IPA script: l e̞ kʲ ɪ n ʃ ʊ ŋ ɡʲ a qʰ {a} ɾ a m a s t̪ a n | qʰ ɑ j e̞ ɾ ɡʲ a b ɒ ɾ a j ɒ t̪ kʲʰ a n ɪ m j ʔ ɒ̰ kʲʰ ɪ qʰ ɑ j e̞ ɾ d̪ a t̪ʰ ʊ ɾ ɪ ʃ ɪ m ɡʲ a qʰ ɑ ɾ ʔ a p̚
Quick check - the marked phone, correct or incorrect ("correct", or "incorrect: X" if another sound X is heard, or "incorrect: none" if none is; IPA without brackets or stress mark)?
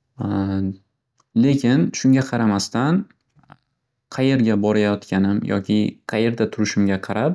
incorrect: ɑ